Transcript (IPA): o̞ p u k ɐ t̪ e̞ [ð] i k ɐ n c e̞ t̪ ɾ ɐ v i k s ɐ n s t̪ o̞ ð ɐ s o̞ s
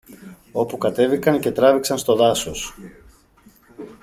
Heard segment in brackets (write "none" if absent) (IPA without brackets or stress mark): v